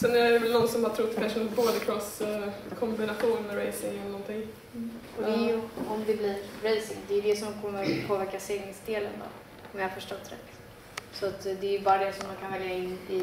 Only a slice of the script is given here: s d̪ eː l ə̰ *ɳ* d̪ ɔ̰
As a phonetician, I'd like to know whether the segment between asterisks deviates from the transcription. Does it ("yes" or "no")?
yes